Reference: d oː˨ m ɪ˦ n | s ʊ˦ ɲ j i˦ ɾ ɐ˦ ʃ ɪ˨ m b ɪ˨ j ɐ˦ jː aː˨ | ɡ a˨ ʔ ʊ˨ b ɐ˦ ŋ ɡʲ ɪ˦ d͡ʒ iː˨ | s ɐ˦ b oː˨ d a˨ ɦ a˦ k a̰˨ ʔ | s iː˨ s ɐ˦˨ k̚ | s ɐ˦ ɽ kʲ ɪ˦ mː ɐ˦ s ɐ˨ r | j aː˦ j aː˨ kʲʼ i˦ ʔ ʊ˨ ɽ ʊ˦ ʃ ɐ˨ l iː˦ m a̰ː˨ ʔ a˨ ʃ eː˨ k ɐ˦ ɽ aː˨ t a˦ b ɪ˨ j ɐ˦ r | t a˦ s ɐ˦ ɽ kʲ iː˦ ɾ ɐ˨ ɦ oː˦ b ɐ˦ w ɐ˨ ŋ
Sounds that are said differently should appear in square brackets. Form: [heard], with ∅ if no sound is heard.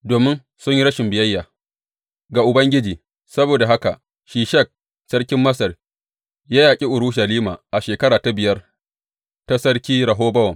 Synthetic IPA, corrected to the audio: d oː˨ m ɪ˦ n | s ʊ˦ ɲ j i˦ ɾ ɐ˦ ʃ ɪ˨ m b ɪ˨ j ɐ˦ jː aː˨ | ɡ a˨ ʔ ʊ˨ b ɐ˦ ŋ ɡʲ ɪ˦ d͡ʒ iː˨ | s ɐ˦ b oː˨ d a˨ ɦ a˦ k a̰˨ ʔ | [ʃ] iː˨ [ʃ] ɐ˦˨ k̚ | s ɐ˦ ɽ kʲ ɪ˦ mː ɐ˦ s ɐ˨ r | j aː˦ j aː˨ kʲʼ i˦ ʔ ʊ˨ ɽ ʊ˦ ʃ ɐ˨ l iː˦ m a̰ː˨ ʔ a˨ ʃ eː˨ k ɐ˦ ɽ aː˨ t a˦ b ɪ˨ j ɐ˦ r | t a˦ s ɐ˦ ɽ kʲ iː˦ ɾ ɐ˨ ɦ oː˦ b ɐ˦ w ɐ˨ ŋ